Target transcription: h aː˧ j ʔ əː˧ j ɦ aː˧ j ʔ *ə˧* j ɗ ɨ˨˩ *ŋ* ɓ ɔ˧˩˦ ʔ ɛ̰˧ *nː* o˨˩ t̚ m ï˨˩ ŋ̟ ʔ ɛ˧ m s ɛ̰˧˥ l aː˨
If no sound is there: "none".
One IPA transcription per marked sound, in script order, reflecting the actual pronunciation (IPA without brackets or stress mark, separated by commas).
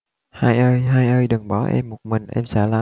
əː˧, ŋ, mː